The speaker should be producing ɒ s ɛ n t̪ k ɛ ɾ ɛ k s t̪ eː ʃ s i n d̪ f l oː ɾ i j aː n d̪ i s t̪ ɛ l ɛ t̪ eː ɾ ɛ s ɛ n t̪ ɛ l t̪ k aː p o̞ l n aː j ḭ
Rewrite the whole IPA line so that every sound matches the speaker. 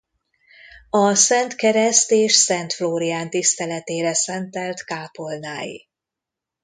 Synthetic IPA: ɒ s ɛ n t̪ k ɛ ɾ ɛ s t̪ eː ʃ s ɛ n t̪ f l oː ɾ i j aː n t̪ i s t̪ ɛ l ɛ t̪ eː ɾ ɛ s ɛ n t̪ ɛ l t̪ k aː p o̞ l n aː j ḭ